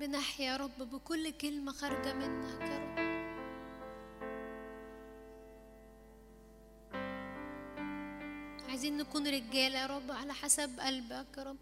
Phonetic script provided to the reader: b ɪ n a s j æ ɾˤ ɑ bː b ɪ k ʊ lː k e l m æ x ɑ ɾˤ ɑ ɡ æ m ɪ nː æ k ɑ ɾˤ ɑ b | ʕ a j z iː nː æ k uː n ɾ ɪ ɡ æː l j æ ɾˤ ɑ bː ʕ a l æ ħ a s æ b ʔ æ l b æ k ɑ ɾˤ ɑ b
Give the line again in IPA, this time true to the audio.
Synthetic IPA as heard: b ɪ n a ħ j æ ɾˤ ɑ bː b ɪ k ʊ lː k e l m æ x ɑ ɾˤ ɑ ɡ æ m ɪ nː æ k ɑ ɾˤ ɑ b | ʕ a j z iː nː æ k uː n ɾ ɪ ɡ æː l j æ ɾˤ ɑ bː ʕ a l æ ħ a s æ b ʔ æ l b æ k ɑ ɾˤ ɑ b